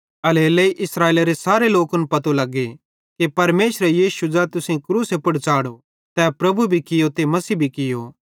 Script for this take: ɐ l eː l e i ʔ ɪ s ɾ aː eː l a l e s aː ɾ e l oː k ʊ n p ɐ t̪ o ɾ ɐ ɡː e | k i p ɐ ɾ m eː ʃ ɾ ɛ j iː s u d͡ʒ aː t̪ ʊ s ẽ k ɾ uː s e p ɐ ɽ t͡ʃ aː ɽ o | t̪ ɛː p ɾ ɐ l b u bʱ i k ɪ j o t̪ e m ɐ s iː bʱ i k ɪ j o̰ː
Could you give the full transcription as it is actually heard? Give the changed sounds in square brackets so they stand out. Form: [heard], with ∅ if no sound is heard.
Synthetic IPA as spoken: ɐ l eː l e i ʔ ɪ s ɾ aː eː l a [ɾ] e s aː ɾ e l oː k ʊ n p ɐ t̪ o [l] ɐ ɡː e | k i p ɐ ɾ m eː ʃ ɾ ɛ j iː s u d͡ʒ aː t̪ ʊ s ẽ k ɾ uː s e p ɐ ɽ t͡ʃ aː ɽ o | t̪ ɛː p ɾ ɐ [∅] b u bʱ i k ɪ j o t̪ e m ɐ s iː bʱ i k ɪ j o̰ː